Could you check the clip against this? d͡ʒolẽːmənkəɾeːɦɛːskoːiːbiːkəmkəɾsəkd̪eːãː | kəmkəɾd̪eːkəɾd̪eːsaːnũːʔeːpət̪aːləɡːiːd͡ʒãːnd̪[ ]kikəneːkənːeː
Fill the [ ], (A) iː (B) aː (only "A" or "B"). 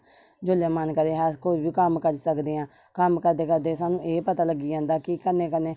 B